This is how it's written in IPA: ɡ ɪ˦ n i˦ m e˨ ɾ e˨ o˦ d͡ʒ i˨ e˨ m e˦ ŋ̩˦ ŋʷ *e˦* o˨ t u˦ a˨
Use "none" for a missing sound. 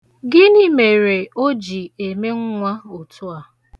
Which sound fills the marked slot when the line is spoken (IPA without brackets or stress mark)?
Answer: a˦